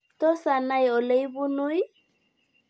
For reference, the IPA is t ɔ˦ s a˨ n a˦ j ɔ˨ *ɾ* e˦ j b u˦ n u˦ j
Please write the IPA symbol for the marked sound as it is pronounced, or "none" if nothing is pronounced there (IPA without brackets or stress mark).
l